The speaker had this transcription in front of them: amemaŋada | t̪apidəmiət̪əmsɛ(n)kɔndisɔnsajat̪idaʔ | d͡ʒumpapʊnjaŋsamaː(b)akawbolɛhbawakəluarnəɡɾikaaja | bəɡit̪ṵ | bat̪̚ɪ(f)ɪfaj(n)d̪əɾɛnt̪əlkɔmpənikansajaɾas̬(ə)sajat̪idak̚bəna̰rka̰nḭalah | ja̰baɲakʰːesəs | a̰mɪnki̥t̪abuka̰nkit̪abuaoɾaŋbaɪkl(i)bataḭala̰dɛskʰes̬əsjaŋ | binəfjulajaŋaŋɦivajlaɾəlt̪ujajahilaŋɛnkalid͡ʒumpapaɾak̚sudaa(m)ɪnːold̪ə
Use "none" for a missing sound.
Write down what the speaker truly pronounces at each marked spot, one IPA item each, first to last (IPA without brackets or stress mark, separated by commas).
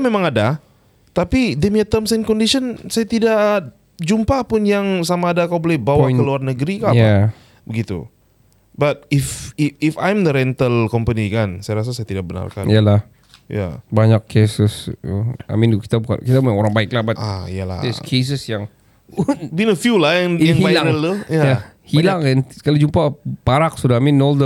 n, d, f, m, a, a, m